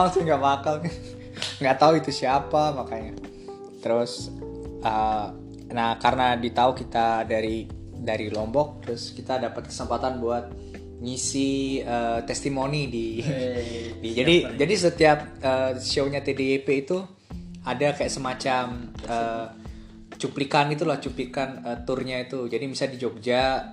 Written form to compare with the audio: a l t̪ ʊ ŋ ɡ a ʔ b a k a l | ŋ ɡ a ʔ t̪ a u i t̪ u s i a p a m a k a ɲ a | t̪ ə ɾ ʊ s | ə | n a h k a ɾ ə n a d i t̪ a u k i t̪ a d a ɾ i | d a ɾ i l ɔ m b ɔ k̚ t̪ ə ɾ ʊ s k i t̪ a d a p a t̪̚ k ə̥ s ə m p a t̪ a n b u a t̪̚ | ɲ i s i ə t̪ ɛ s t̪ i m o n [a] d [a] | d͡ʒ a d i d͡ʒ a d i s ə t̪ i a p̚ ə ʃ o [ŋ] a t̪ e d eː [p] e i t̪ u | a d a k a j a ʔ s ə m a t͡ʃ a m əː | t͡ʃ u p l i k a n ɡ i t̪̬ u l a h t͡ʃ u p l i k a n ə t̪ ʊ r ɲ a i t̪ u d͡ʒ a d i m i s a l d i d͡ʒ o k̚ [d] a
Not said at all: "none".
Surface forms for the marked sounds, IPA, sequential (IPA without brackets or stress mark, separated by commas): i, i, ɲ, p, d͡ʒ